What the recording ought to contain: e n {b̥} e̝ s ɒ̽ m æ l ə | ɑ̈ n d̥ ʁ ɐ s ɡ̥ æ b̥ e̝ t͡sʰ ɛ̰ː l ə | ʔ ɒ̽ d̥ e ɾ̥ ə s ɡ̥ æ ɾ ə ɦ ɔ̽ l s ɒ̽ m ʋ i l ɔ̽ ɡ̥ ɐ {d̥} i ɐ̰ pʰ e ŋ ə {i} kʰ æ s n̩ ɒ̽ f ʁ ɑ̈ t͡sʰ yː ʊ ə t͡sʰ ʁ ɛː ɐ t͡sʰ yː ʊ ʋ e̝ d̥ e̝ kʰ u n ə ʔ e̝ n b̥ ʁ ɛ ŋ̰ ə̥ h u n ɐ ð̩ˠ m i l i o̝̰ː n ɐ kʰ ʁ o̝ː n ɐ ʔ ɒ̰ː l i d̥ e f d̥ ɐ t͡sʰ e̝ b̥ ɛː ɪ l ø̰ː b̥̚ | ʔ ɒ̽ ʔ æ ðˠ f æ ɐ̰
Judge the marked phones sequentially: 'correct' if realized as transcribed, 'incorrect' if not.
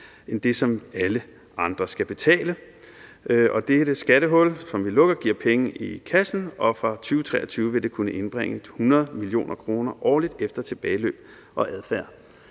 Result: incorrect, incorrect, correct

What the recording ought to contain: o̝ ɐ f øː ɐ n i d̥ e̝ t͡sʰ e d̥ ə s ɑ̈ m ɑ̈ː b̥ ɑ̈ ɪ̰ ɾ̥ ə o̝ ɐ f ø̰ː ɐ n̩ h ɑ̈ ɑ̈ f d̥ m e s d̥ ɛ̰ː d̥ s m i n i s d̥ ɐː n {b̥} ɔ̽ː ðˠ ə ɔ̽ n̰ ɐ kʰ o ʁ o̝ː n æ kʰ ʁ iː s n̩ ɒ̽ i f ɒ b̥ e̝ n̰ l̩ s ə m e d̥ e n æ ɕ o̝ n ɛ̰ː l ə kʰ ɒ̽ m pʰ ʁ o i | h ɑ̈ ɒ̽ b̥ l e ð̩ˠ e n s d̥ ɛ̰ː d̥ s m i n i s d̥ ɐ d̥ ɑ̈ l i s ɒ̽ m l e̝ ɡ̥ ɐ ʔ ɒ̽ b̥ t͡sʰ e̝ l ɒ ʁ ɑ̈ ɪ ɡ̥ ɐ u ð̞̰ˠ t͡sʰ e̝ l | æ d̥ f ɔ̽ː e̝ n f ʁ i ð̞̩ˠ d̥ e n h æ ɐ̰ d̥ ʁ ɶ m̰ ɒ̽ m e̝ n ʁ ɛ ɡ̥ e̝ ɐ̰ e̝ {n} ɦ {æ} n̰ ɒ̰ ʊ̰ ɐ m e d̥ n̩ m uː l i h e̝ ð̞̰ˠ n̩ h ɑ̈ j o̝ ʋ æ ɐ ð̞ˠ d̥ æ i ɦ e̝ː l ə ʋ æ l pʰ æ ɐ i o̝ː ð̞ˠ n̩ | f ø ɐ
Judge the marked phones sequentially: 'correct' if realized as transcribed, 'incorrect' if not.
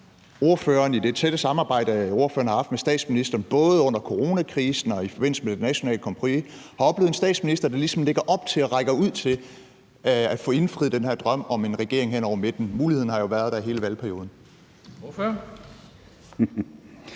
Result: correct, incorrect, incorrect

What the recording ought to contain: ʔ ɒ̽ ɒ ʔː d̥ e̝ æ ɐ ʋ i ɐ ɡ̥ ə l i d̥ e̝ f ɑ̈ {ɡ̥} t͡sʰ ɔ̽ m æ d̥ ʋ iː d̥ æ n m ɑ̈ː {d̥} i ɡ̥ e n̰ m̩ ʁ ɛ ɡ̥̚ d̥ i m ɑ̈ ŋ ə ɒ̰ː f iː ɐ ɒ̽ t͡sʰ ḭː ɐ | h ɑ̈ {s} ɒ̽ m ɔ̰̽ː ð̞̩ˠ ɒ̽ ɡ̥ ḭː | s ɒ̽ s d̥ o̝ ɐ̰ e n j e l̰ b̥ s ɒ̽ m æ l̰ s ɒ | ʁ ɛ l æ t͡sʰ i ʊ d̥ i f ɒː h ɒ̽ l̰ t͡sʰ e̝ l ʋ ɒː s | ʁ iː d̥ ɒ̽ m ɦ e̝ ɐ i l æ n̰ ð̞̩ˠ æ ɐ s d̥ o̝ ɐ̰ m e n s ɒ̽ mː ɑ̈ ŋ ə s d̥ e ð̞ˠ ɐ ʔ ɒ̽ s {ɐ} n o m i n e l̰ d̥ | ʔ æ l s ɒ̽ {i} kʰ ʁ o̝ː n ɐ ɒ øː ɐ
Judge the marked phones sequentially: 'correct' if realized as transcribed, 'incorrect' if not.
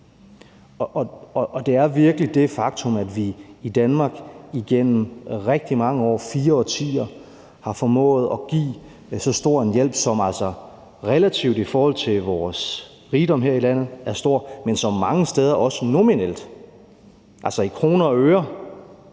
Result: correct, incorrect, incorrect, incorrect, correct

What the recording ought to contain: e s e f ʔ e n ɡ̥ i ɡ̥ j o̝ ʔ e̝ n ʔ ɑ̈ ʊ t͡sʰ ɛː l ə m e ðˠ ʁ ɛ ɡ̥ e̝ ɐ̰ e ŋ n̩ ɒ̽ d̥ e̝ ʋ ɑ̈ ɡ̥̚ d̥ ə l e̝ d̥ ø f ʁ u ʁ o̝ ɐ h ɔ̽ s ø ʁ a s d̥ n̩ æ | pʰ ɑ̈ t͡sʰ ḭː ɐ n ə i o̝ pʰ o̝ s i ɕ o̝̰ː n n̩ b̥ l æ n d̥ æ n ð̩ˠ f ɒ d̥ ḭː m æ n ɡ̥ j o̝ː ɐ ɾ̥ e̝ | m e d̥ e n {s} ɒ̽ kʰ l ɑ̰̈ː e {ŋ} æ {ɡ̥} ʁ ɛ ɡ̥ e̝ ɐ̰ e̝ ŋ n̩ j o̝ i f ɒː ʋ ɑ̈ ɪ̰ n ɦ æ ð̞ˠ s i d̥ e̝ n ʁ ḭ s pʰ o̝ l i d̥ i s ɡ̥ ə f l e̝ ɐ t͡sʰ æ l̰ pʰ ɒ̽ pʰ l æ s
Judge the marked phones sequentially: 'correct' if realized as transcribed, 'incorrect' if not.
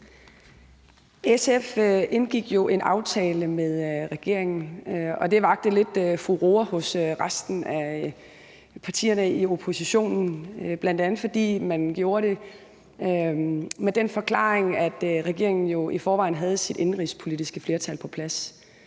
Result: incorrect, correct, incorrect

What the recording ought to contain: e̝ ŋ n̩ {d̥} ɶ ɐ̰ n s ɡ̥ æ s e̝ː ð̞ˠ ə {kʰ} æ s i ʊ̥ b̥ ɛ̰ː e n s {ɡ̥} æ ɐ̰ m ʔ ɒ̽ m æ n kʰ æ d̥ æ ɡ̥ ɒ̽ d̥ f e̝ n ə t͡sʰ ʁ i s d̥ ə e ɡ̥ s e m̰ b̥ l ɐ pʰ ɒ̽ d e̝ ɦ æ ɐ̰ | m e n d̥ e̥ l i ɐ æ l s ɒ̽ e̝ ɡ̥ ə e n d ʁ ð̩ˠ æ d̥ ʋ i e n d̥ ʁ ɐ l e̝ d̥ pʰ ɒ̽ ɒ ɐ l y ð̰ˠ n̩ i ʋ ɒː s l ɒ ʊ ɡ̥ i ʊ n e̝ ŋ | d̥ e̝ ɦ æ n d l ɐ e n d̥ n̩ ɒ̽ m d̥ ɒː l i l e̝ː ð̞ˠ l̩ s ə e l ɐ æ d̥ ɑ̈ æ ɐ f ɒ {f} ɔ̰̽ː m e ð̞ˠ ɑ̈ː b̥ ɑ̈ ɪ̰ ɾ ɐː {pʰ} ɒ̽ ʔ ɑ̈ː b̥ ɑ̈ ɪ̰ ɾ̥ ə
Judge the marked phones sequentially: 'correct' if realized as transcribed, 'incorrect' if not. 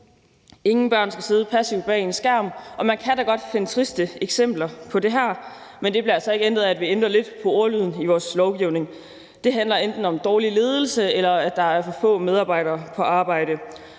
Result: incorrect, incorrect, correct, correct, correct

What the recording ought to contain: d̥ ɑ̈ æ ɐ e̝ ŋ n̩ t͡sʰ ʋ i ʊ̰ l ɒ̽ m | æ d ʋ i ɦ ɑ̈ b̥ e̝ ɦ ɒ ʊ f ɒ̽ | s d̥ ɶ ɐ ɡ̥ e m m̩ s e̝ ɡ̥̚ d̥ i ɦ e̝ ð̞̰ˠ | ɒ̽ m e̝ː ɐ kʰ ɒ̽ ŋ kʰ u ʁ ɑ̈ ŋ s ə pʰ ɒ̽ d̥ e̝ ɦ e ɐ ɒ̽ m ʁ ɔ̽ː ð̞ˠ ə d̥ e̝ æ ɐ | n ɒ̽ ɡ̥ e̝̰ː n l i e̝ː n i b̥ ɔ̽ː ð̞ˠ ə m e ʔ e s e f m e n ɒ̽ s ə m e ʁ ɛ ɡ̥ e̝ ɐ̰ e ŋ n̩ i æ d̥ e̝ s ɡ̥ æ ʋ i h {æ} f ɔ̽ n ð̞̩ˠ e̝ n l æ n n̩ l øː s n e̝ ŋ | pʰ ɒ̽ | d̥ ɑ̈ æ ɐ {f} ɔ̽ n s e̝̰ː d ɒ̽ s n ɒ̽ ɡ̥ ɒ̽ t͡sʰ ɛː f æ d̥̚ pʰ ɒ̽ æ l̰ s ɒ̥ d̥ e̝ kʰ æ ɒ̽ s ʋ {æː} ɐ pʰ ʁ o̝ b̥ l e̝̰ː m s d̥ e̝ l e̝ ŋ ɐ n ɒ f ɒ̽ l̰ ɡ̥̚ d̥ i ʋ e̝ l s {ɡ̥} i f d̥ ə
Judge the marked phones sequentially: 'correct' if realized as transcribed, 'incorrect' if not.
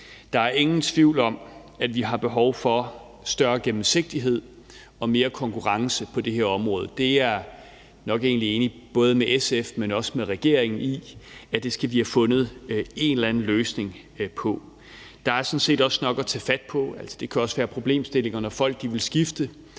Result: correct, incorrect, correct, correct

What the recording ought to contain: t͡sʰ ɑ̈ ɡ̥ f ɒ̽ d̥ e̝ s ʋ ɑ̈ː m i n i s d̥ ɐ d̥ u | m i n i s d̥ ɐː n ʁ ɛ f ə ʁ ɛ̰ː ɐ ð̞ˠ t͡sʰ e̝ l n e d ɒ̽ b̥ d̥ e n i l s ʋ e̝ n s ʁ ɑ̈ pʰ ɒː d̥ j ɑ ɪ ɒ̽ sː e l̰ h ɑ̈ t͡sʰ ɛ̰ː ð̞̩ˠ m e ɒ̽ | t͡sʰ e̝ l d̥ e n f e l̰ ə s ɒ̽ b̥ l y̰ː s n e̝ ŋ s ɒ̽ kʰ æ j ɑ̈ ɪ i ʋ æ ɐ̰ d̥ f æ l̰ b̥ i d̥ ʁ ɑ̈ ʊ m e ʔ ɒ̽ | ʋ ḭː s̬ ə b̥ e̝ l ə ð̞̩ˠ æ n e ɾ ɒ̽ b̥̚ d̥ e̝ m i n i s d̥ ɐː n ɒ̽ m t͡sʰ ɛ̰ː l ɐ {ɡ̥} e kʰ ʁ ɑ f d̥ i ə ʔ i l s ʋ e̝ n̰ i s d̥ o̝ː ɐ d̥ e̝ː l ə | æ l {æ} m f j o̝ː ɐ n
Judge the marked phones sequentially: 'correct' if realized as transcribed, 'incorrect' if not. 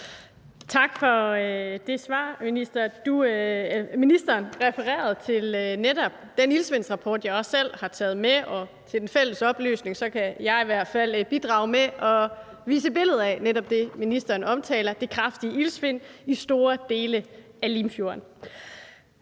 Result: incorrect, incorrect

